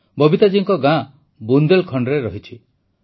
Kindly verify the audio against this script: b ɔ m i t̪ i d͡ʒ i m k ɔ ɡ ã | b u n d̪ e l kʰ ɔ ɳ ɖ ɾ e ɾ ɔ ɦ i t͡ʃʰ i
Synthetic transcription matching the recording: b ɔ b i t̪ a d͡ʒ i ŋ k ɔ ɡ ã | b u n d̪ e l kʰ ɔ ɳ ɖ ɾ e ɾ ɔ ɦ i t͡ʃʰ i